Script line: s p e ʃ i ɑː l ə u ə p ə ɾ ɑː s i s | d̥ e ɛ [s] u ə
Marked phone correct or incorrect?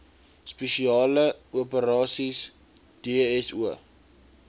correct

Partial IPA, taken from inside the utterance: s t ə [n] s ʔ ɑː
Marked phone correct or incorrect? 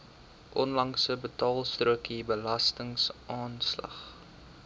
incorrect: ŋ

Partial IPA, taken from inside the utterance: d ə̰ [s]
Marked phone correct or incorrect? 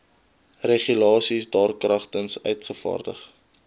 incorrect: χ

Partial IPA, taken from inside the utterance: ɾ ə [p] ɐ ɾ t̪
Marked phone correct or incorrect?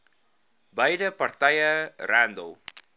correct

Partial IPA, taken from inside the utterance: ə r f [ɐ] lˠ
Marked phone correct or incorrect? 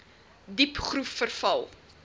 correct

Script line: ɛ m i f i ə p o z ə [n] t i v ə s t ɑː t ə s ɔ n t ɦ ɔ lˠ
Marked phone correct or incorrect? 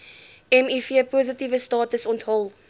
incorrect: none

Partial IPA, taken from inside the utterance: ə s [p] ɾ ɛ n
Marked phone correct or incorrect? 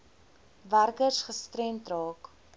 incorrect: t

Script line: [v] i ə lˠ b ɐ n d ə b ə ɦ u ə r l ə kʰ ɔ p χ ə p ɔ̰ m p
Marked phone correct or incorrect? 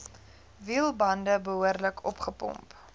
correct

